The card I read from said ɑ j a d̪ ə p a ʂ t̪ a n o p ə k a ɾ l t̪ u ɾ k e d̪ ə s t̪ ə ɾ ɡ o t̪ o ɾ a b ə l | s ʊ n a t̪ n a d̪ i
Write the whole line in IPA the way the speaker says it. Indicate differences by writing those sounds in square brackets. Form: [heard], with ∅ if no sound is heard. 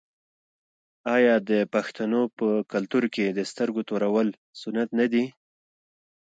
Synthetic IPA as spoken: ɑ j [ɑ] d̪ ə p a [x] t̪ a n o p ə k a [∅] l t̪ u ɾ k e d̪ ə s t̪ ə ɾ ɡ o t̪ o ɾ a [w] ə l | s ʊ n a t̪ n a d̪ i